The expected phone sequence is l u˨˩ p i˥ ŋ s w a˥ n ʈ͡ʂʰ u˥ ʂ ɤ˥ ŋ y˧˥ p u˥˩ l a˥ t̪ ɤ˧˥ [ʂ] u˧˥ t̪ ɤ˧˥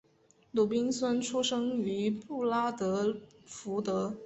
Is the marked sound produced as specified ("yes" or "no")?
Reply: no